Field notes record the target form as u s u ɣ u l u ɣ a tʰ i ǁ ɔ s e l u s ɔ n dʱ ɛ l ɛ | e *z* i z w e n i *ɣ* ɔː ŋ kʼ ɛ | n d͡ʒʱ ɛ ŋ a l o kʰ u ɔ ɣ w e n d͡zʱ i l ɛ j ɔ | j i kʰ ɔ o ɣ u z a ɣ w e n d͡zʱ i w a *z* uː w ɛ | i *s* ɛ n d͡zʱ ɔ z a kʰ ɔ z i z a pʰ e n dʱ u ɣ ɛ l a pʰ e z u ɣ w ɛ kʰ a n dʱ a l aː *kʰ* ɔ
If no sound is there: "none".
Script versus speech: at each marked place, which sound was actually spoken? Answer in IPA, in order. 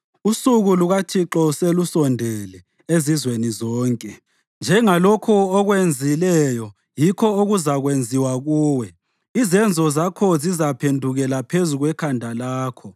z, z, ɣ, z, kʰ

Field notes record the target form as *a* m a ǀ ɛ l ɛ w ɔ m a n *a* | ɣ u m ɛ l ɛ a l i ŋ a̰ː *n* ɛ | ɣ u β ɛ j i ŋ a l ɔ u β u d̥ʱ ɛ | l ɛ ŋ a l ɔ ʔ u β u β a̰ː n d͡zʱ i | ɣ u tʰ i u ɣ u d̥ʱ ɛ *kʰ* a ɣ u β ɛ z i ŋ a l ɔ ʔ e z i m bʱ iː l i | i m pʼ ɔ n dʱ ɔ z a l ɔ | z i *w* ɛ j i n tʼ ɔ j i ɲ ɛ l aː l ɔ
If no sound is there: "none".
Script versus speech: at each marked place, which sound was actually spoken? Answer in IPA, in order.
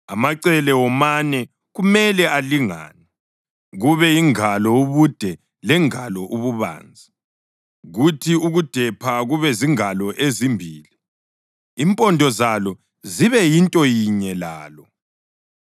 a, ɛ, n, pʰ, β

